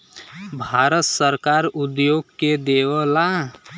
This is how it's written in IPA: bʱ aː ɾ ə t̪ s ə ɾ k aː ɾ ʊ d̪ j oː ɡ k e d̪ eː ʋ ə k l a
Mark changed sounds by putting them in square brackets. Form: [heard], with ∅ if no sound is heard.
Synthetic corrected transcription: bʱ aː ɾ ə t̪ s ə ɾ k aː ɾ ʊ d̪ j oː ɡ k e d̪ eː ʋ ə [∅] l a